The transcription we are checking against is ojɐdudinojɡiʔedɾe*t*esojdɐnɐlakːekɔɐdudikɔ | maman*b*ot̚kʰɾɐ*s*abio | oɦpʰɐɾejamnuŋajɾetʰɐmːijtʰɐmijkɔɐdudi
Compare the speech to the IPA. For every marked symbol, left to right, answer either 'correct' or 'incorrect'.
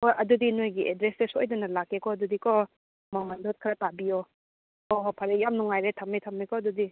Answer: incorrect, incorrect, incorrect

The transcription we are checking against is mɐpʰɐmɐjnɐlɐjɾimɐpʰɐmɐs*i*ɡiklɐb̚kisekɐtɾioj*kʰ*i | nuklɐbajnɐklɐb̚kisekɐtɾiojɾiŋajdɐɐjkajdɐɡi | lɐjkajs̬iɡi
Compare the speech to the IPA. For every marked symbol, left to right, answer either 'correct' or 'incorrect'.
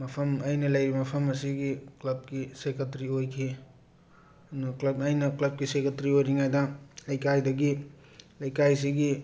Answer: correct, correct

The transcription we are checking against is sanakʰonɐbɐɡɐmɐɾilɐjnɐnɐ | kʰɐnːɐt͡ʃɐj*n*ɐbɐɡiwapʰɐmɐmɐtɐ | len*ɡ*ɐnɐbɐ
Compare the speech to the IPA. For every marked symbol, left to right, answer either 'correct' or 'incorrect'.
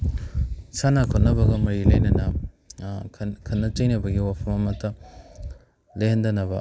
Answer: correct, incorrect

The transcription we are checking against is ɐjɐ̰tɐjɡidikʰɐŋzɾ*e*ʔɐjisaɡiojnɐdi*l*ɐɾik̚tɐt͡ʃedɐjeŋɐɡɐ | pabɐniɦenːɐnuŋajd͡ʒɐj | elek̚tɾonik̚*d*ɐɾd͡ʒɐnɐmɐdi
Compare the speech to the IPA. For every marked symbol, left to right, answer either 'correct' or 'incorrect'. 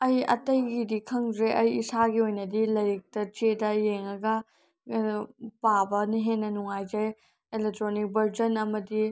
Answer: correct, correct, incorrect

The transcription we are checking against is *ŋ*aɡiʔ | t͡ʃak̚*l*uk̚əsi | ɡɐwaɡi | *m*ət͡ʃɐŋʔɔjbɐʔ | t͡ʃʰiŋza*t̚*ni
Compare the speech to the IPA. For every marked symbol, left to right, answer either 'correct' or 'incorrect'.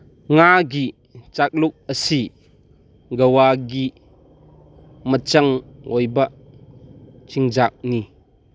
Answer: correct, correct, correct, incorrect

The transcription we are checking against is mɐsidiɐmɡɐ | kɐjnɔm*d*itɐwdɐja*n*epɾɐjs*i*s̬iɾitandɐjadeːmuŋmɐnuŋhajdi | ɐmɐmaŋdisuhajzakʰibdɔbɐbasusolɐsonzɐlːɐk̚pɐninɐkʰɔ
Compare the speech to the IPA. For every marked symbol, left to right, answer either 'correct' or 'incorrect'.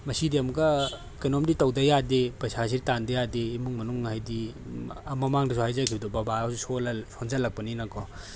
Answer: correct, incorrect, incorrect

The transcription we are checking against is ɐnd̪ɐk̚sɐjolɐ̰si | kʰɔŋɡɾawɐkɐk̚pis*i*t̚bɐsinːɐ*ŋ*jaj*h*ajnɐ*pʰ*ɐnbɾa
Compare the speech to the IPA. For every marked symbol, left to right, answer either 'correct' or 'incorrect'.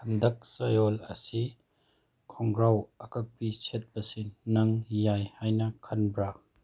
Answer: incorrect, correct, correct, incorrect

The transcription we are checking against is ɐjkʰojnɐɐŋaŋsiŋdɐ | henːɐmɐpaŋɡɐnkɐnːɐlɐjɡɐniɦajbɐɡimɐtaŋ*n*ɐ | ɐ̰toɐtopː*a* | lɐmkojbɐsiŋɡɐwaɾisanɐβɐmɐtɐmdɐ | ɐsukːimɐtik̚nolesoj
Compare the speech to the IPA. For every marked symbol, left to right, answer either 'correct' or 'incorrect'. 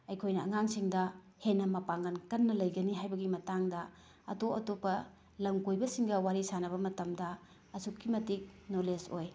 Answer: incorrect, incorrect

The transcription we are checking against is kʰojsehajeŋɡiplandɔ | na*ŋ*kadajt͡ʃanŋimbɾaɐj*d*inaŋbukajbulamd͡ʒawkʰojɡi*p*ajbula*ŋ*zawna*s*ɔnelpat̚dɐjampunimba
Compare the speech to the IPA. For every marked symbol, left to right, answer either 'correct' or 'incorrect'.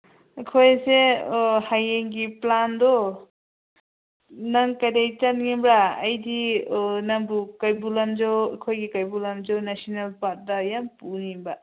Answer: correct, correct, incorrect, incorrect, correct

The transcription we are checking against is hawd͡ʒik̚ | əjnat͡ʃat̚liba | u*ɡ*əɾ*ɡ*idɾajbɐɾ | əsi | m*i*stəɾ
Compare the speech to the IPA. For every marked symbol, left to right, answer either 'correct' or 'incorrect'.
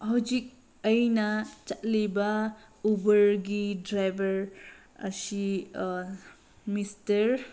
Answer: incorrect, correct, correct

